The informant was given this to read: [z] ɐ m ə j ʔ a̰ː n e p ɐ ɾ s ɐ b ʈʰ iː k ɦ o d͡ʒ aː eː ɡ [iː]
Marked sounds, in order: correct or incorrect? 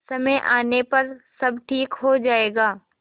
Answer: incorrect: s, incorrect: aː

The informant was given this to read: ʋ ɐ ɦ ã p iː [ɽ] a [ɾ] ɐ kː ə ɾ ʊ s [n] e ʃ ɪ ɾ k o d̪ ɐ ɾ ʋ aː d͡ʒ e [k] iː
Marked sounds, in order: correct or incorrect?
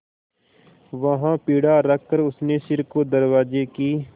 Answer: correct, correct, correct, correct

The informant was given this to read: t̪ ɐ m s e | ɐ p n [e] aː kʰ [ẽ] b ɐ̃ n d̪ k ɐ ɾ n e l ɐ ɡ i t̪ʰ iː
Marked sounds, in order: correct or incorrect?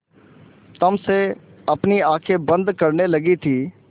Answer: incorrect: i, incorrect: e

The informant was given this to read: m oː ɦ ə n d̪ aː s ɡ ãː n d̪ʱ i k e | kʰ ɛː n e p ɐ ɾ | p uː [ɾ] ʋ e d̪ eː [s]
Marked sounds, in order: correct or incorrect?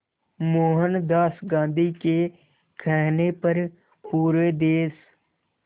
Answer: correct, correct

